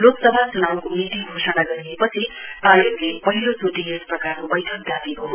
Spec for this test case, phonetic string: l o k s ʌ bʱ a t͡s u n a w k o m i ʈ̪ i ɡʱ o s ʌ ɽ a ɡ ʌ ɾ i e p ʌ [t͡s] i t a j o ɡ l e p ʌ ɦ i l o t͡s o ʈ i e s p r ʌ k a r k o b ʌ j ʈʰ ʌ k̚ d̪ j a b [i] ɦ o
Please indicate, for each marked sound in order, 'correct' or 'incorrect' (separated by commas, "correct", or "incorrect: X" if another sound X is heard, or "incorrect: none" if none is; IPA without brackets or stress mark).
incorrect: t͡sʰ, correct